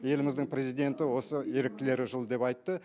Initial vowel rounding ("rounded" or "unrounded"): unrounded